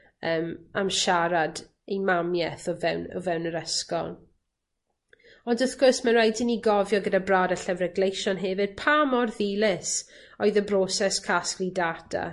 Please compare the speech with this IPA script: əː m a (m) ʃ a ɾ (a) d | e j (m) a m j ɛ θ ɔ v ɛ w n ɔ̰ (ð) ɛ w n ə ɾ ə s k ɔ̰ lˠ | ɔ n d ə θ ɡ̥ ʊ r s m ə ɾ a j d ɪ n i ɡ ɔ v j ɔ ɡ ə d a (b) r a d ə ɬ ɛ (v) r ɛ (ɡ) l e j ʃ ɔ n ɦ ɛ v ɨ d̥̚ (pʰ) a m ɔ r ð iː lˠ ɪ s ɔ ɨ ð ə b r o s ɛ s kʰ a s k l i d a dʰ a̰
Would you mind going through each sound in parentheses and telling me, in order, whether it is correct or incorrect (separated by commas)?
correct, correct, correct, incorrect, correct, correct, correct, correct